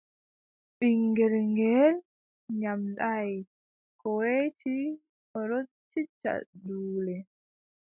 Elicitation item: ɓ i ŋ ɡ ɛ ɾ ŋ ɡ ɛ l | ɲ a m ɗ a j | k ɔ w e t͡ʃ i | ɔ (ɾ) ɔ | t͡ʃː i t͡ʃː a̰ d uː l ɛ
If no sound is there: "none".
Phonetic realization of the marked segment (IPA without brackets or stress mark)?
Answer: ɾ